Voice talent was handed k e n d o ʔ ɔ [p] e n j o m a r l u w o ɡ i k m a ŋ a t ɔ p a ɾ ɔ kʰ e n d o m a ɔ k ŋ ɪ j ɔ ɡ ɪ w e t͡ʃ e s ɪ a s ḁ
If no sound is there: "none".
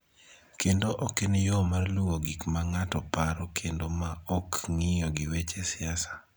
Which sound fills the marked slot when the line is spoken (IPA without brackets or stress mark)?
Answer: k